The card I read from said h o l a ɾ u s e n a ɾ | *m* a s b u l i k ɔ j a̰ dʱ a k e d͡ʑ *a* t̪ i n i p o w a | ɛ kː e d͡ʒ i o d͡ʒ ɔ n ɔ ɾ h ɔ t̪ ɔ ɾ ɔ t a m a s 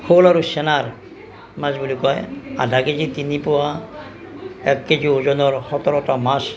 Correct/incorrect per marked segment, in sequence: correct, incorrect

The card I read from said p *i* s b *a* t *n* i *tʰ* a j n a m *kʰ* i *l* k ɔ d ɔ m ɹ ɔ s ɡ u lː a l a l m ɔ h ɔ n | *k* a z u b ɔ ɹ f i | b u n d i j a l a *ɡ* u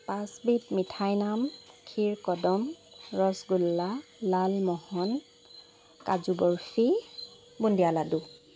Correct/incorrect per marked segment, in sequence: incorrect, incorrect, incorrect, correct, correct, incorrect, correct, incorrect

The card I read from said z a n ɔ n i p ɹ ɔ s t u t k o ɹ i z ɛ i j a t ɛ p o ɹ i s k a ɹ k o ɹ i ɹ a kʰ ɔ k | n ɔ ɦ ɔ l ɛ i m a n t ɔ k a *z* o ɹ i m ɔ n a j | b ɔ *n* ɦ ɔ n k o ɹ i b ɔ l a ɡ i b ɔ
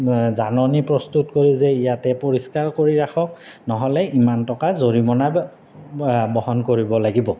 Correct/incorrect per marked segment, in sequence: correct, incorrect

